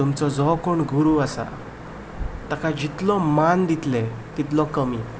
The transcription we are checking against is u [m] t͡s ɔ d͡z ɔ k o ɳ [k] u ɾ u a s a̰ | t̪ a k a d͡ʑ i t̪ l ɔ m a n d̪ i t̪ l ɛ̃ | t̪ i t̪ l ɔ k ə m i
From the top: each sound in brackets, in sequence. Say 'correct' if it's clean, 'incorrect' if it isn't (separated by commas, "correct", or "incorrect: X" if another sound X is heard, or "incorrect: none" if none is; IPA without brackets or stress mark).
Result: correct, incorrect: ɡ